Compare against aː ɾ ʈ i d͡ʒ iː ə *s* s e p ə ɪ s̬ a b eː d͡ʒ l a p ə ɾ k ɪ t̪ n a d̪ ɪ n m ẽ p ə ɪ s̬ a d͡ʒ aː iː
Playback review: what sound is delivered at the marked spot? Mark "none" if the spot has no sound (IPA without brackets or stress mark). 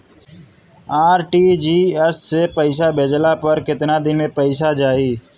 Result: s